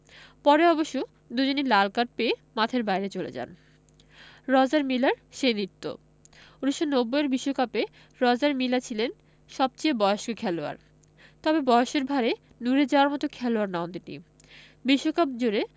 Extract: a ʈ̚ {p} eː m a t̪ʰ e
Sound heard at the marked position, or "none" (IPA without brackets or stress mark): p